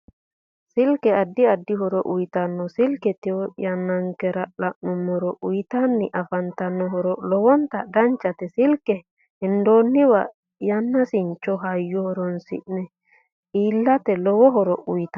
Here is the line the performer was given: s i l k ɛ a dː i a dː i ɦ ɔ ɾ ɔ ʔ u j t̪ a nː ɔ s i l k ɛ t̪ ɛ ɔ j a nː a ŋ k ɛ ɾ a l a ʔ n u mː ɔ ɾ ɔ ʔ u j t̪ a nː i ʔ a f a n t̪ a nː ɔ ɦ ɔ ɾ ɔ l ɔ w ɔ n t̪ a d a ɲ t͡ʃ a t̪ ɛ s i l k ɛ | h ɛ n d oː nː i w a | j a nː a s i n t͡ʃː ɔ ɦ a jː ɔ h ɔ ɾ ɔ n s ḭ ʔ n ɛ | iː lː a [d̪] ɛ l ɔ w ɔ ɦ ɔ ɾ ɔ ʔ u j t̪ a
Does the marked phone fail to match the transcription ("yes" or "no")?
yes